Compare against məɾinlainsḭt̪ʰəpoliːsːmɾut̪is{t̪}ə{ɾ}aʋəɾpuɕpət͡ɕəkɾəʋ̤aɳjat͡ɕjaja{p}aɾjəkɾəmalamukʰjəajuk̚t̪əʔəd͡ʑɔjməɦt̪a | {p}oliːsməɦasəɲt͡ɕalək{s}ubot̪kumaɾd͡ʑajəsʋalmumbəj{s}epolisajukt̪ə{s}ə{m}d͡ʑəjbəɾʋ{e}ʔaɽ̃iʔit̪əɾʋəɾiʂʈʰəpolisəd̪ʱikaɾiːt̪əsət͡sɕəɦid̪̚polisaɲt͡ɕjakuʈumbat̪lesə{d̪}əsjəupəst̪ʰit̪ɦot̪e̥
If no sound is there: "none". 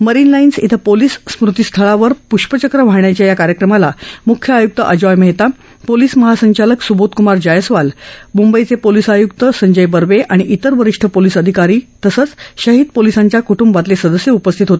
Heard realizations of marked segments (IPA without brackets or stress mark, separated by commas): t̪ʰ, ɭ, k, p, s, t͡s, s, ɲ, e, d̪